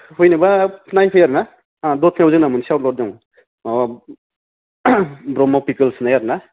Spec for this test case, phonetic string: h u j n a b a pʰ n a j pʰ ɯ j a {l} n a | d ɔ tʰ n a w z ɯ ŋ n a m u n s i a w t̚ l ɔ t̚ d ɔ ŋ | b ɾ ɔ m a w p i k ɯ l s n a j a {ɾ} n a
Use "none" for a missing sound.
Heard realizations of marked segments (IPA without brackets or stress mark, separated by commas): ɾ, ɾ